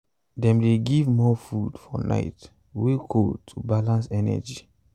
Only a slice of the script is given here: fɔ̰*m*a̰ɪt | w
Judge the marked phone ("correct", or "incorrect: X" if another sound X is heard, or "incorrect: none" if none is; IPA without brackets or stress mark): incorrect: n